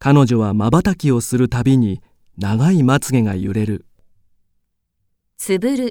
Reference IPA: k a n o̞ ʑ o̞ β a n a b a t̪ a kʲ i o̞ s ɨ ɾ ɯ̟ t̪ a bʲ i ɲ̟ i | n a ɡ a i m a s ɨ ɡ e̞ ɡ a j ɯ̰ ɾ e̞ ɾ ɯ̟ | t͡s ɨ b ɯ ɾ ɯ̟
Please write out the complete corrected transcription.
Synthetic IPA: k a n o̞ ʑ o̞ β a m a b a t̪ a kʲ i o̞ s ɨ ɾ ɯ̟ t̪ a bʲ i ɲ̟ i | n a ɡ a i m a t͡s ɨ ɡ e̞ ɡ a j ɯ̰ ɾ e̞ ɾ ɯ̟ | t͡s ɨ b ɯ ɾ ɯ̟